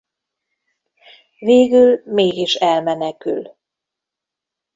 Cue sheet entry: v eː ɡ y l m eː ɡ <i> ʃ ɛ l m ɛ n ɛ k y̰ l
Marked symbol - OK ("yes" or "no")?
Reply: yes